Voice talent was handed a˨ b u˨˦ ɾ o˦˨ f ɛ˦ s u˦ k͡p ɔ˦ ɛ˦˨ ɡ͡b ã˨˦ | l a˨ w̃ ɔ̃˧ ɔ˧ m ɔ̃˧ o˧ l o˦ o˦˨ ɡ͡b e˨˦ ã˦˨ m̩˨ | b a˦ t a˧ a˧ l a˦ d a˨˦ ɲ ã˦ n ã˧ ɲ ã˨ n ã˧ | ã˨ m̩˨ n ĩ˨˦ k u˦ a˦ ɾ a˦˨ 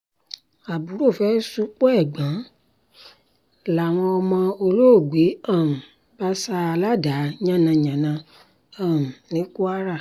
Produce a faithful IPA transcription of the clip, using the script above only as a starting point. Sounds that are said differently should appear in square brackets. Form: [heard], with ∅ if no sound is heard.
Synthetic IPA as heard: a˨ b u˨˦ ɾ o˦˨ f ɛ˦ s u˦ k͡p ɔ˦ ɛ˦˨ ɡ͡b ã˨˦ | l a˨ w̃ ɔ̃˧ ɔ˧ m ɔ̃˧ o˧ l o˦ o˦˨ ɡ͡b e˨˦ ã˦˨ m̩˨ | b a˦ [s] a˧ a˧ l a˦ d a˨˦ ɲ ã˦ n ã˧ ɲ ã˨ n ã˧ | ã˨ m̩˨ n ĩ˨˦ k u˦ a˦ ɾ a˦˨